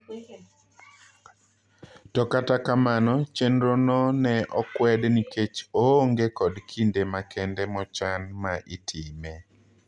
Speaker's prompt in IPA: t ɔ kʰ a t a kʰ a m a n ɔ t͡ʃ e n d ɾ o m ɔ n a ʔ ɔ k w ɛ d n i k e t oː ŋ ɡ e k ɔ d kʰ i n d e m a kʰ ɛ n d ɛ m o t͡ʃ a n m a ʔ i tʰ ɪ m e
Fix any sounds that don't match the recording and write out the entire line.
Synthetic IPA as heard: t ɔ k a t a k a m a n ɔ t͡ʃ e n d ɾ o n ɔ n ɛ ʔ ɔ k w ɛ d n i k e t͡ʃ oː ŋ ɡ e k ɔ d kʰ i n d e m a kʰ ɛ n d ɛ m ɔ t͡ʃ a n m a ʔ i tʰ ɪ m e